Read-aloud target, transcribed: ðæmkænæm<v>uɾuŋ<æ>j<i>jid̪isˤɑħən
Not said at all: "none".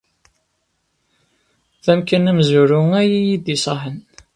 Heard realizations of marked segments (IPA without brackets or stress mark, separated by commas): z, æ, i